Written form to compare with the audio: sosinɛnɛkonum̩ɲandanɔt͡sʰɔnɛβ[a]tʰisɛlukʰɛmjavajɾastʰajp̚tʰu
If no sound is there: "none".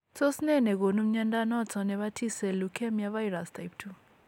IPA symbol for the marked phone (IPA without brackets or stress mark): a